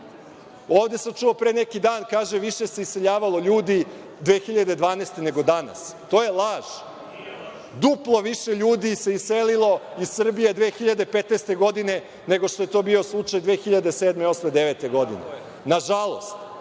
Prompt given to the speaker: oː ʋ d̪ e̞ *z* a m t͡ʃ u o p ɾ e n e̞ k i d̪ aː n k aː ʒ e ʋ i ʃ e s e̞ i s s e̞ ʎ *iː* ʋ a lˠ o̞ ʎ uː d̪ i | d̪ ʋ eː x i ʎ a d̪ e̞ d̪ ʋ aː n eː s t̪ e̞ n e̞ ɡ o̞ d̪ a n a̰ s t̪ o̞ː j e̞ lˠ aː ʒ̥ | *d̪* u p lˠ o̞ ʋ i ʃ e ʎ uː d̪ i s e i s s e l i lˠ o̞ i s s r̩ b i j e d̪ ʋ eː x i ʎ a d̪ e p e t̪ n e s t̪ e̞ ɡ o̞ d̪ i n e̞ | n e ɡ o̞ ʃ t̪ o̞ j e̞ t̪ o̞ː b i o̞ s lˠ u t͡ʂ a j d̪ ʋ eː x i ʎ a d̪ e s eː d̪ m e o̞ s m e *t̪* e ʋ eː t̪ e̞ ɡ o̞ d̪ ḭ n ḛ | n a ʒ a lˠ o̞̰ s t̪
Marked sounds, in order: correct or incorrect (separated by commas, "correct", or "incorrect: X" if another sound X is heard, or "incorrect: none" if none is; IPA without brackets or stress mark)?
incorrect: s, incorrect: aː, correct, incorrect: d̪